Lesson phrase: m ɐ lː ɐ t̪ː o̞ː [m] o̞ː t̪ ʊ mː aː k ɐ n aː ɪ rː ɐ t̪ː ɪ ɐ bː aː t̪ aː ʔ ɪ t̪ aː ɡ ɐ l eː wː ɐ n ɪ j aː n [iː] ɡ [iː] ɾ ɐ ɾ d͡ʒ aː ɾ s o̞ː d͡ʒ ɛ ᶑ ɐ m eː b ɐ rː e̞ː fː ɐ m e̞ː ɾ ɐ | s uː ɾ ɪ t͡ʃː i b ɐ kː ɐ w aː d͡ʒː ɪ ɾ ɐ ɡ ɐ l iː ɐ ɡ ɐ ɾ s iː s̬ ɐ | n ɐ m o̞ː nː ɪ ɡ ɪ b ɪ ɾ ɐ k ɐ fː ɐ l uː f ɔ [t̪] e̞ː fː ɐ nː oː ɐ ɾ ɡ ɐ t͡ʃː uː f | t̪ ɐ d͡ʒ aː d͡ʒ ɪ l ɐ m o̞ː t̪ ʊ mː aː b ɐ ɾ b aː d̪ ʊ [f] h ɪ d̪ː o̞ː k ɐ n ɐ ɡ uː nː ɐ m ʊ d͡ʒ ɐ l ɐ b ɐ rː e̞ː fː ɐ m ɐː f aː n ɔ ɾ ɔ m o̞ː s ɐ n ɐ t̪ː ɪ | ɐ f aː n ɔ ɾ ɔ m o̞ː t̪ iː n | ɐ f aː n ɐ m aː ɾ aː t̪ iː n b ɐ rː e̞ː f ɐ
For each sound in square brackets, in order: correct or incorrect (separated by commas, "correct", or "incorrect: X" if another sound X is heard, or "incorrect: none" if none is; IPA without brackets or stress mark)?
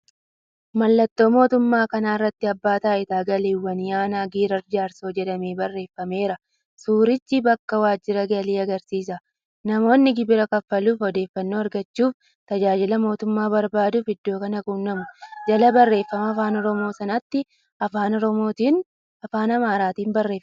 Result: correct, incorrect: aː, correct, incorrect: d̪, correct